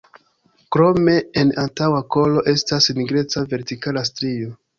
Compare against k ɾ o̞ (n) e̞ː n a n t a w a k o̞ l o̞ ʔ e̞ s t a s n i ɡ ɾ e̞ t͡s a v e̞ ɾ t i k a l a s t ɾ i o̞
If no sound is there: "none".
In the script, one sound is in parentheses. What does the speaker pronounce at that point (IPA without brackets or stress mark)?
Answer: m